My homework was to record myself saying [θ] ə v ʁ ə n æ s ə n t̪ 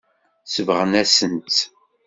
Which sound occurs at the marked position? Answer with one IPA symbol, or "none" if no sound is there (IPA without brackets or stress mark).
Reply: s